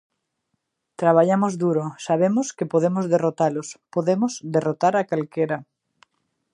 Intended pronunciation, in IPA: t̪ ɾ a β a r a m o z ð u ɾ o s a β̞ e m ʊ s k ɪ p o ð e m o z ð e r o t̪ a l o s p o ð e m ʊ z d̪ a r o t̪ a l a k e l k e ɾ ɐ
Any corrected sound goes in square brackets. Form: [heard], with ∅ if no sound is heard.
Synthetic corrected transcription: t̪ ɾ a β a [ʎ] a m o z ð u ɾ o s a β̞ e m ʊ s k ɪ p o ð e m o z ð e r o t̪ a l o s p o ð e m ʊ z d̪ [e] r o t̪ a [ɾ] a k [a] l k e ɾ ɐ